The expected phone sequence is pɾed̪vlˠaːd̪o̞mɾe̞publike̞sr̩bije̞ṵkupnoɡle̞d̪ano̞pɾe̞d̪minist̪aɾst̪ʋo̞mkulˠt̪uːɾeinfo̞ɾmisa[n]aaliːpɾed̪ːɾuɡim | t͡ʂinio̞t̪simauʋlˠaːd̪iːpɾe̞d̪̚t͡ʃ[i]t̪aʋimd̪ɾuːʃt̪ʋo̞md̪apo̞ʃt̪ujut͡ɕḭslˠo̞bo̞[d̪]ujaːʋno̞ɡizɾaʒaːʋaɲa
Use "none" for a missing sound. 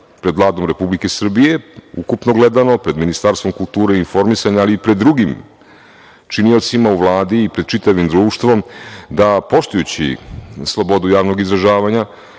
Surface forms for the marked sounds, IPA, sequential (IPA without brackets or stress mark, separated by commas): ɲ, i, d̪